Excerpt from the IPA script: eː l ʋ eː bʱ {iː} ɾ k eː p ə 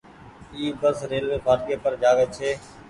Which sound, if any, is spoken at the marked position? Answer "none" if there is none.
aː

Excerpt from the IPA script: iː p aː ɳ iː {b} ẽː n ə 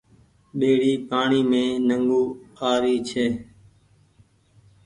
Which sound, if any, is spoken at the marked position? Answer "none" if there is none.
m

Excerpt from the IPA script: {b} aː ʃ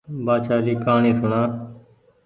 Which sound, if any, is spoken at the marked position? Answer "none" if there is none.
b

